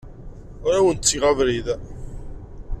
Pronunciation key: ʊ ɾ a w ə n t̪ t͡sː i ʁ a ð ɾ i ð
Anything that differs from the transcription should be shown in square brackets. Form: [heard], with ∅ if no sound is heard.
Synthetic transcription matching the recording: ʊ ɾ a w ə n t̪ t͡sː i ʁ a [v] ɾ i ð